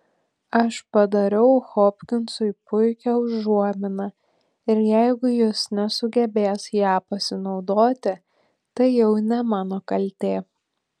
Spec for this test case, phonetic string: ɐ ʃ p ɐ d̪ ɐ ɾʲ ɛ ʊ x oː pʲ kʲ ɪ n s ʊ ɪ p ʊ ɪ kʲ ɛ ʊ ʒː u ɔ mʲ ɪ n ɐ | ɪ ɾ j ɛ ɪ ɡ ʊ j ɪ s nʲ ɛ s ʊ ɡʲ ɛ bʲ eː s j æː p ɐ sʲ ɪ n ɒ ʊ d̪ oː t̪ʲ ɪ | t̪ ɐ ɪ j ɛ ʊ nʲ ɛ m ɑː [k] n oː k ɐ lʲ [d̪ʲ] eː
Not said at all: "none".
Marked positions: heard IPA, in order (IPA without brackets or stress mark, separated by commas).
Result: none, t̪ʲ